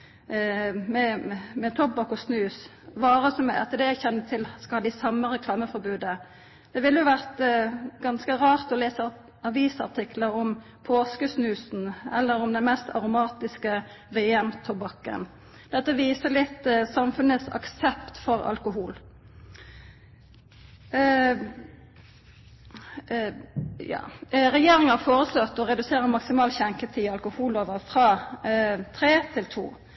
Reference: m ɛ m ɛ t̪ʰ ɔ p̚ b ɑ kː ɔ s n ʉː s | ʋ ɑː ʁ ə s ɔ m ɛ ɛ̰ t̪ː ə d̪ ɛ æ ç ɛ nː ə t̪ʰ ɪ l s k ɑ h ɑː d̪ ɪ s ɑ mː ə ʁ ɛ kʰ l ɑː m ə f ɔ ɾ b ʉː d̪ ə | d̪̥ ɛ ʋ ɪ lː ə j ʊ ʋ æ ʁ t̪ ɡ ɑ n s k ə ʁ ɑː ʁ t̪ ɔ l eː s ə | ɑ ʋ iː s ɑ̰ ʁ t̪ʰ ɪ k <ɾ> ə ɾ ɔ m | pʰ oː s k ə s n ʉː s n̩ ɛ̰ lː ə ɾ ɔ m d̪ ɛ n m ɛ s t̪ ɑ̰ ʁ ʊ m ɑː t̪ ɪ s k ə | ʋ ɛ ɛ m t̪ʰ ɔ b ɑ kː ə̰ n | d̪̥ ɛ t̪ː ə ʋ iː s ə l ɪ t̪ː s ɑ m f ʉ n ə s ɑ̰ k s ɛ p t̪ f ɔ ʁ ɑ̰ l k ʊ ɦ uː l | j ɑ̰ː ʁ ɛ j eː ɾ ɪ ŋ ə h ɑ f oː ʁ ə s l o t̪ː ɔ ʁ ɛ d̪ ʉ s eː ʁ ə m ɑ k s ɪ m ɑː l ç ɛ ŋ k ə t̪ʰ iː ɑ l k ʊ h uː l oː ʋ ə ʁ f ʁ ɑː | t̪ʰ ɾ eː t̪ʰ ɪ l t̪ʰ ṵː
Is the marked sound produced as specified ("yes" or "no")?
no